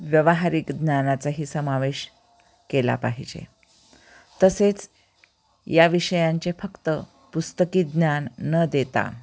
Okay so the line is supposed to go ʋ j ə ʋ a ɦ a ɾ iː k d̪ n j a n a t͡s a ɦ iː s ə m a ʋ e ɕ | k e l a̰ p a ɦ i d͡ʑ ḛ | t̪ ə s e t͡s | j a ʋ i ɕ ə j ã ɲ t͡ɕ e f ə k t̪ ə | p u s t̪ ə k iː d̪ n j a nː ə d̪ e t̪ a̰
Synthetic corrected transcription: ʋ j ə ʋ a ɦ a ɾ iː k d̪ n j a n a t͡s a ɦ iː s ə m a ʋ e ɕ | k e l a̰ p a ɦ i d͡ʑ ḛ | t̪ ə s e t͡s | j a ʋ i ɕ ə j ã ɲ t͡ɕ e f ə k t̪ ə | p u s t̪ ə k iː d̪ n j a nː ə d̪ e t̪ a̰